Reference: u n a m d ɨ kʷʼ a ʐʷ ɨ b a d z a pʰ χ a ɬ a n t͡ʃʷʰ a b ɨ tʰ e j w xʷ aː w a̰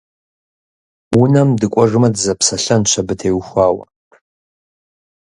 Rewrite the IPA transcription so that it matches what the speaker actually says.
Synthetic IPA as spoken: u n a m d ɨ kʷʼ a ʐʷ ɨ m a d z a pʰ s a ɬ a n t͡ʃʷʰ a b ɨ tʰ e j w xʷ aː w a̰